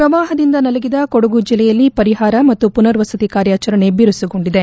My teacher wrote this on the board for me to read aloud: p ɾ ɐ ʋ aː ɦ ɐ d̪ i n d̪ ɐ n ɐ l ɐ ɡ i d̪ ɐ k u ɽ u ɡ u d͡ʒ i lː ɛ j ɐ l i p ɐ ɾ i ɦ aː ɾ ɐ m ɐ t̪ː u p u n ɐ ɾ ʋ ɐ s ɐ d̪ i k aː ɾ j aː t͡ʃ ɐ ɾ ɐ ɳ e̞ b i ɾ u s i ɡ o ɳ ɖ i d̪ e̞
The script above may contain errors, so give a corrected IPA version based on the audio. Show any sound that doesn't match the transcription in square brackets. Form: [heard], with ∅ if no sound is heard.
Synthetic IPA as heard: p ɾ ɐ ʋ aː ɦ ɐ d̪ i n d̪ ɐ n ɐ l ɐ ɡ i d̪ ɐ k [o] ɽ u ɡ u d͡ʒ i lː ɛ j ɐ [lː] i p ɐ ɾ i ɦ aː ɾ ɐ m ɐ t̪ː u p u n ɐ ɾ ʋ ɐ s ɐ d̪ i k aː ɾ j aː t͡ʃ ɐ ɾ ɐ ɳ e̞ b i ɾ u s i ɡ o ɳ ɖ i d̪ e̞